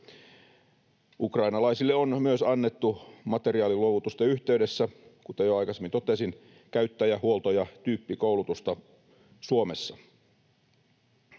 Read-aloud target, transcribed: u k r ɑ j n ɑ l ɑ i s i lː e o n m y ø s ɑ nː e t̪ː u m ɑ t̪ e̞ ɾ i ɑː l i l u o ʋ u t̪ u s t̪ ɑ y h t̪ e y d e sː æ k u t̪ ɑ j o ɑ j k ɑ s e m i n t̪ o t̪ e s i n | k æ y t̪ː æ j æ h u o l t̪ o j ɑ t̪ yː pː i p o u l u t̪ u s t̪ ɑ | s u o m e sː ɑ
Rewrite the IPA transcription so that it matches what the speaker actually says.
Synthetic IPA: u k r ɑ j n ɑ l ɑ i s i lː e o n m y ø s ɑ nː e t̪ː u m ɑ t̪ e̞ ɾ i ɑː l i l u o ʋ u t̪ u s t̪ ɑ y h t̪ e y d e sː æ k u t̪ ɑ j o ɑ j k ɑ s e m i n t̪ o t̪ e s i n | k æ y t̪ː æ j æ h u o l t̪ o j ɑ t̪ yː pː i k o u l u t̪ u s t̪ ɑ | s u o m e sː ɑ